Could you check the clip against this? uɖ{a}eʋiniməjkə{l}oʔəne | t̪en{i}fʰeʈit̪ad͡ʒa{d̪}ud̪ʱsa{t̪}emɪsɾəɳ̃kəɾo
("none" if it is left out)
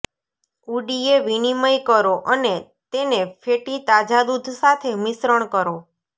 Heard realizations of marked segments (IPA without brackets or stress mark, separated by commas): i, ɾ, e, d̪, t̪ʰ